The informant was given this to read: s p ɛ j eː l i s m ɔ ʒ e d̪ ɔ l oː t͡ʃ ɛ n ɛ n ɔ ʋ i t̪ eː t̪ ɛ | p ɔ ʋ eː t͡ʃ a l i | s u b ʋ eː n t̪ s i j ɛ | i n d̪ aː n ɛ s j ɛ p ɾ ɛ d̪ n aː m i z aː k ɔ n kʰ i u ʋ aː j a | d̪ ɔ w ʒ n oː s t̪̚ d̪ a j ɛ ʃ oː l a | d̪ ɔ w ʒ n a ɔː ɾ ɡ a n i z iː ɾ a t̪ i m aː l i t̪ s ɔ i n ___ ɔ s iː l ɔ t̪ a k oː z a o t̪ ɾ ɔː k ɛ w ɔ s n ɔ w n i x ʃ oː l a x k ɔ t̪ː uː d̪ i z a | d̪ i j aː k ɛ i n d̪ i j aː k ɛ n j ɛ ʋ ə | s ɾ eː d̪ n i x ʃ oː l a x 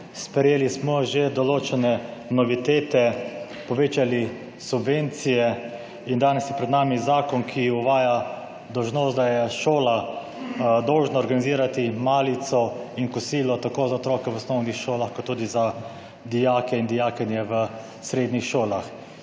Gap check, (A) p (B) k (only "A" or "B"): B